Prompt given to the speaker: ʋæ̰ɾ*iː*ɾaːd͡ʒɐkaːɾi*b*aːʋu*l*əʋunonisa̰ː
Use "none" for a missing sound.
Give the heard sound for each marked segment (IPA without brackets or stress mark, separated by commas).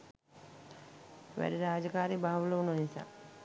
i, b, l